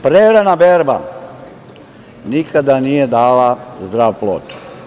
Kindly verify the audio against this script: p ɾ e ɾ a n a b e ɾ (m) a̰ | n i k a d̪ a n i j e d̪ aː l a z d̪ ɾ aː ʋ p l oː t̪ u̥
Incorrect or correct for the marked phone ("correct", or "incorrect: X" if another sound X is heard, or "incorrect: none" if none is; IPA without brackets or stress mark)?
incorrect: b